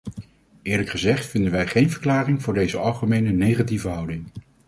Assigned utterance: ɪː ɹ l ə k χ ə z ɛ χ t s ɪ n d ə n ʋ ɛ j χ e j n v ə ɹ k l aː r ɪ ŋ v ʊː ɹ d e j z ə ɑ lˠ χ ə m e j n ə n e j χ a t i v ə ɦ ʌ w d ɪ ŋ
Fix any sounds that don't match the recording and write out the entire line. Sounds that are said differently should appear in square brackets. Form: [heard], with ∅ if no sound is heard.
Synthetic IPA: ɪː ɹ l ə k χ ə z ɛ χ t [f] ɪ n d ə n ʋ ɛ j χ e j n v ə ɹ k l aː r ɪ ŋ v ʊː ɹ d e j z ə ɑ lˠ χ ə m e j n ə n e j χ a t i v ə ɦ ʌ w d ɪ ŋ